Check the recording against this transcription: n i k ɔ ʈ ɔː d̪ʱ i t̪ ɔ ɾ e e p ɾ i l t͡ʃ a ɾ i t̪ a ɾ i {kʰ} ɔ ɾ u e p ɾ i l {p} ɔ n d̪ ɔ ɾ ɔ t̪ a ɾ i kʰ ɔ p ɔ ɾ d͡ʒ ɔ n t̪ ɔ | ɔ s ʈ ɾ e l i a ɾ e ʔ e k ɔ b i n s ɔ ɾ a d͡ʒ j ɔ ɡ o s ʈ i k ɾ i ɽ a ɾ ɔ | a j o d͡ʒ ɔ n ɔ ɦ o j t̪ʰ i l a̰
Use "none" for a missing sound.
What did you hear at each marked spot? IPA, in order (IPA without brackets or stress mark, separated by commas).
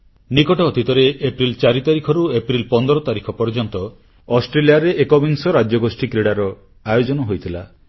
kʰ, p